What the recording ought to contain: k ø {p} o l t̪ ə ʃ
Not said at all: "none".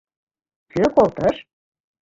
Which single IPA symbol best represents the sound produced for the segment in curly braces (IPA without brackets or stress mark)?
k